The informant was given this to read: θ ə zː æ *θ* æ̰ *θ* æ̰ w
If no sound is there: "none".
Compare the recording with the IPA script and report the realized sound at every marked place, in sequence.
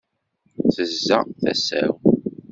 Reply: θ, s

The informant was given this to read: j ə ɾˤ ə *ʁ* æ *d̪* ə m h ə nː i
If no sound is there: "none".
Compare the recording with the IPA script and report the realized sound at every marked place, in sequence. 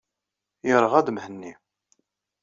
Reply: ʁ, d̪

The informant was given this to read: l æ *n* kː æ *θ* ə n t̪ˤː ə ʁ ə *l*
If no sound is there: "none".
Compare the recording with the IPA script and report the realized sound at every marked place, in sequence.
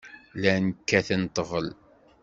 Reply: n, θ, l

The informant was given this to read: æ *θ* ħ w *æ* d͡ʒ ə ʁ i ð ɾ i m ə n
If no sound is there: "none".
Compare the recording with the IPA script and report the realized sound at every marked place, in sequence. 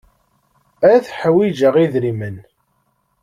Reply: θ, i

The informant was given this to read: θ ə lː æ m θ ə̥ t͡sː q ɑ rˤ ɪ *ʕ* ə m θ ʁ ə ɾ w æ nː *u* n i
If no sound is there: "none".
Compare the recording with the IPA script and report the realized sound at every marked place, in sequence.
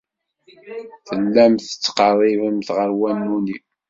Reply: v, u

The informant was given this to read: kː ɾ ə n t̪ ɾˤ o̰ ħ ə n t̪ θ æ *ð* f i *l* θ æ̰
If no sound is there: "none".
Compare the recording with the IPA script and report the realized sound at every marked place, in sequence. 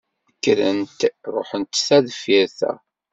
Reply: ð, ɾ

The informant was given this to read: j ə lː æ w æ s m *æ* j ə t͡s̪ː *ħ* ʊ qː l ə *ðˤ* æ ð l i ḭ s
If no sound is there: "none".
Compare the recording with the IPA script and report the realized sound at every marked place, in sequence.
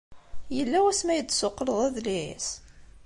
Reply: æ, s, ðˤ

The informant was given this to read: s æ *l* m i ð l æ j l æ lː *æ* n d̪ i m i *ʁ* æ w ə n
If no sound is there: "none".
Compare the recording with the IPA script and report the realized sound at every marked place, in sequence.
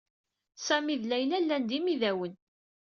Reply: none, æ, ð

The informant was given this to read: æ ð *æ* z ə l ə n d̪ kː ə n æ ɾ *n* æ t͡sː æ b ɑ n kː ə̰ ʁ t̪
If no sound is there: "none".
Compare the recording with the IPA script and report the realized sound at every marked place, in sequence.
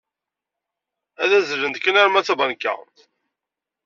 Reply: æ, m

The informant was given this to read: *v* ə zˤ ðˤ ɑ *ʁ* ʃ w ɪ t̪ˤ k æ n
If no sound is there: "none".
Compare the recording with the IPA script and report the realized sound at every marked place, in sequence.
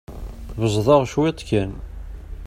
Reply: v, ʁ

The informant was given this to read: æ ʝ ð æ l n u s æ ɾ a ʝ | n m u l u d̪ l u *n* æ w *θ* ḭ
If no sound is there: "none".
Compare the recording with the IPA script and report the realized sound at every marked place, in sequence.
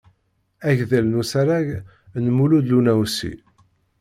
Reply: n, s

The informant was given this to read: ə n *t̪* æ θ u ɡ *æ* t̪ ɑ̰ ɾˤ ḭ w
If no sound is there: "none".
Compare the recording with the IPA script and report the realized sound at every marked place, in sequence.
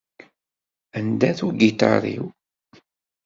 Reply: d̪, i

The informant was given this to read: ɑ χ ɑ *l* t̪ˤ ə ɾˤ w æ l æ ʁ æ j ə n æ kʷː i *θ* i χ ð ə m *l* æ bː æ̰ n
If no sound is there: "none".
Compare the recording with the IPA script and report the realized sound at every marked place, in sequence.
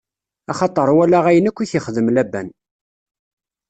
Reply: none, θ, l

